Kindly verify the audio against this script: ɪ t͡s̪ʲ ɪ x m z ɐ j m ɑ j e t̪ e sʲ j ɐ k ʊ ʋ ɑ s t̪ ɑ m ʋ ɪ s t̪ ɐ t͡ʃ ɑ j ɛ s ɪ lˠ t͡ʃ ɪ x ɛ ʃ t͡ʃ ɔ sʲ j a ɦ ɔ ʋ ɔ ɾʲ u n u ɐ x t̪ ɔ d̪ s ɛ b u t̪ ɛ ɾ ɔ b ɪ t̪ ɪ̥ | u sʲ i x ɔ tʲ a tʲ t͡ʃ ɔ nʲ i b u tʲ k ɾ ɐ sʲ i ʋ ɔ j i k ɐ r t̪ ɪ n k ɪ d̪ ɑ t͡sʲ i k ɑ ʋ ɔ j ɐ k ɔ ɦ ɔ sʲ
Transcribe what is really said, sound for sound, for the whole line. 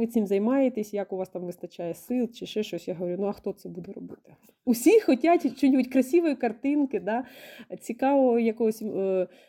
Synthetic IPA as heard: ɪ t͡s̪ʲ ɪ m z ɐ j m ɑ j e t̪ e sʲ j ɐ k ʊ ʋ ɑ s t̪ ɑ m ʋ ɪ s t̪ ɐ t͡ʃ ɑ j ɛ s ɪ lˠ t͡ʃ ɪ ʃ ɛ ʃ t͡ʃ ɔ sʲ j a ɦ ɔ ʋ ɔ ɾʲ u n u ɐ x t̪ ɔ t̪ s ɛ b u d̪ ɛ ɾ ɔ b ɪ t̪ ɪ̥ | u sʲ i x ɔ tʲ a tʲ t͡ʃ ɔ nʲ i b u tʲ k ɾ ɐ sʲ i ʋ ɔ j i k ɐ r t̪ ɪ n k ɪ d̪ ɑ t͡sʲ i k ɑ ʋ ɔ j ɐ k ɔ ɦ ɔ sʲ